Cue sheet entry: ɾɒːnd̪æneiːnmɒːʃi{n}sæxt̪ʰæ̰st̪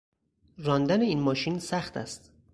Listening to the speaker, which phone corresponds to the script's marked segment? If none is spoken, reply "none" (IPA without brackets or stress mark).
n